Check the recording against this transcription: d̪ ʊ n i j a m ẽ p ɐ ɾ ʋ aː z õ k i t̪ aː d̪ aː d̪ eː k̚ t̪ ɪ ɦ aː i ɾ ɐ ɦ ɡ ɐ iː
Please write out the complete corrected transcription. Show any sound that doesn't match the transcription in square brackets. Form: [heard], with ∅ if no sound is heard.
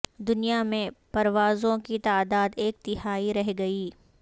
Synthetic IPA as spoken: d̪ ʊ n i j a m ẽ p ɐ ɾ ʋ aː z õ k i t̪ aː d̪ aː d̪ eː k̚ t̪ ɪ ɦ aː i ɾ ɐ ɦ ɡ ɐ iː